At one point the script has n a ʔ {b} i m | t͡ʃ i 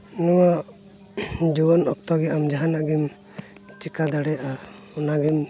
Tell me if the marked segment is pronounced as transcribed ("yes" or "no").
no